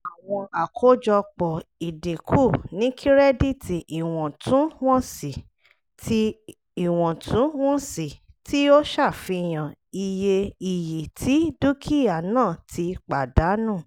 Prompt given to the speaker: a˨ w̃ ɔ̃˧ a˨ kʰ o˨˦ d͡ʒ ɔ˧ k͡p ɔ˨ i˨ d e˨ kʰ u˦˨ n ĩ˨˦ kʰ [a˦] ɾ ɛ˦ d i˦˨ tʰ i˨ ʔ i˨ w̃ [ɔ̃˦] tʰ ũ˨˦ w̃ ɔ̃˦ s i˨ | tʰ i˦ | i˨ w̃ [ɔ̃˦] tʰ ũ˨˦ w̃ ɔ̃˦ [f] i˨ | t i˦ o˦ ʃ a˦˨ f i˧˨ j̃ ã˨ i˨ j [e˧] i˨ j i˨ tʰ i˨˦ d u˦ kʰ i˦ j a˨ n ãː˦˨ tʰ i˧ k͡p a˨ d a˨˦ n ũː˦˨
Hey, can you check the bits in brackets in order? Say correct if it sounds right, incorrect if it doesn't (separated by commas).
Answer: incorrect, incorrect, incorrect, incorrect, correct